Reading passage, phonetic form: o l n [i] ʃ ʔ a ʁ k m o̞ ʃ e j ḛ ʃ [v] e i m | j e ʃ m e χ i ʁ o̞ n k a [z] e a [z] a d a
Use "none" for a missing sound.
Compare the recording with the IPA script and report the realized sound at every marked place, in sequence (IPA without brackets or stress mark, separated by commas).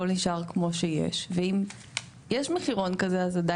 i, v, z, z